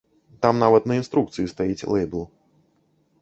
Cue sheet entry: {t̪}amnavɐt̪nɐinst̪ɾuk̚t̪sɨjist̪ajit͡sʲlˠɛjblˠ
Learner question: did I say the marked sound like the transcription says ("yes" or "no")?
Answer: yes